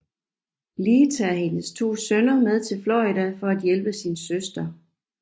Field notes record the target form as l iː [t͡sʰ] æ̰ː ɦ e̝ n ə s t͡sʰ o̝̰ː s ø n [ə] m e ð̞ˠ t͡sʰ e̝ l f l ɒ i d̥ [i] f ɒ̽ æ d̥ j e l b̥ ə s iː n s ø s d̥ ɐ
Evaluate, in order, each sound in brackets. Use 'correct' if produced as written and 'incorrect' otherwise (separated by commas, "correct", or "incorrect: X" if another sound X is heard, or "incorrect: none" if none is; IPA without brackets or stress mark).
correct, incorrect: ɐ, incorrect: æ